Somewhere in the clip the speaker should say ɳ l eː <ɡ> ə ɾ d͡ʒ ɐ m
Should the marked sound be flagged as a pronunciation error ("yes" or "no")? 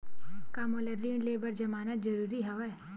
yes